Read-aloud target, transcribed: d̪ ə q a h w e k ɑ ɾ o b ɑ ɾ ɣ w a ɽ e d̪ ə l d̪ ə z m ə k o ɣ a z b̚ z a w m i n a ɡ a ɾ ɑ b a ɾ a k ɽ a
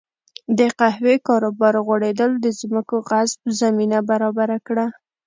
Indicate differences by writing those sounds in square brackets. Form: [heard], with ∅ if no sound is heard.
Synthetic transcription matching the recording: d̪ ə q a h w e k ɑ ɾ o b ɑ ɾ ɣ w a ɽ e d̪ ə l d̪ ə z m ə k o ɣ a z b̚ z a [∅] m i n a [b] a ɾ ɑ b a ɾ a k ɽ a